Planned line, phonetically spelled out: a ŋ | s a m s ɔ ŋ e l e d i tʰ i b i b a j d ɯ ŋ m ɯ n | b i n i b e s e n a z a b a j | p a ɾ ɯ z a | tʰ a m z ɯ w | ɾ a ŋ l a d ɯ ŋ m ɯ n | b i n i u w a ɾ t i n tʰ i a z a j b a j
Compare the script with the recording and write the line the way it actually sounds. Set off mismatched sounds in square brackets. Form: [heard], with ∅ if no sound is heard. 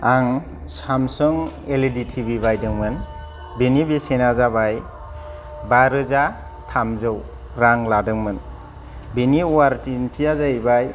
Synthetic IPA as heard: a ŋ | s a m s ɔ ŋ e l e d i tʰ i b i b a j d ɯ ŋ m ɯ n | b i n i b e s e n a z a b a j | [b] a ɾ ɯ z a | tʰ a m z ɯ w | ɾ a ŋ l a d ɯ ŋ m ɯ n | b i n i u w a ɾ t i n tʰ i a z a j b a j